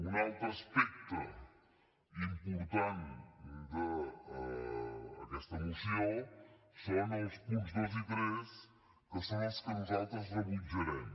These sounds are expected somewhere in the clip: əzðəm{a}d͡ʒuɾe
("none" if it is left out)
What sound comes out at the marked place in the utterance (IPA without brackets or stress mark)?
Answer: i